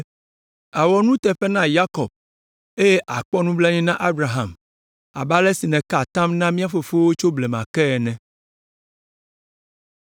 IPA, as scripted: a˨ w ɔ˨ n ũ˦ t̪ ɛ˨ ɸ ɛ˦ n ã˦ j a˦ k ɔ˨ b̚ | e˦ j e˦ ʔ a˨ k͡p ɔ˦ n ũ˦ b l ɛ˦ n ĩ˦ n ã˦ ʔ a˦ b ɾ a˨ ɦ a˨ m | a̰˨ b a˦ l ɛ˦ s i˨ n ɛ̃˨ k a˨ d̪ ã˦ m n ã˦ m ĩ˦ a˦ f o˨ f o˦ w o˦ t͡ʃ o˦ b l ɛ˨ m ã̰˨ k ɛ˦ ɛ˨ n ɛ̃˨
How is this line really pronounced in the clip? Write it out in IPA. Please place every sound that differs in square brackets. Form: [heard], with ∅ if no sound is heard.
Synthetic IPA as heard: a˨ w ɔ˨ n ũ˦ t̪ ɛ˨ ɸ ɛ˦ n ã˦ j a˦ k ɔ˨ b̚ | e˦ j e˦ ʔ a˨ k͡p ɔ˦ n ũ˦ b l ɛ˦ [ɲ] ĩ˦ n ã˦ ʔ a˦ b ɾ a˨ ɦ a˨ m | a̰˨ b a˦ l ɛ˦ s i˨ n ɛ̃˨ k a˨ [t̪] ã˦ m n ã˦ m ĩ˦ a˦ f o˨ f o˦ w o˦ t͡ʃ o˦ b l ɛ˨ m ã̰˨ k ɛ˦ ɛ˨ n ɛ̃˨